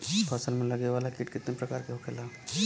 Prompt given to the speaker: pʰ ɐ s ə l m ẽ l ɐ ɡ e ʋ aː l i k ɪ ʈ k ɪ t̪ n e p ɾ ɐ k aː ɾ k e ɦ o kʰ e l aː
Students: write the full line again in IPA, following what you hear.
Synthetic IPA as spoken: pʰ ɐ s ə l m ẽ l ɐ ɡ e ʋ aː l a k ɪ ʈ k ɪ t̪ n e p ɾ ɐ k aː ɾ k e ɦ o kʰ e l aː